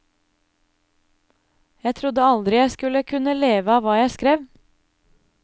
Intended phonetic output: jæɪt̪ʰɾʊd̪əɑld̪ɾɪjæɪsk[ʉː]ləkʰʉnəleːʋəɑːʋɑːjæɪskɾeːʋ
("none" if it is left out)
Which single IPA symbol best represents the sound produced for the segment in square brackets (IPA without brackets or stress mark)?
ʉ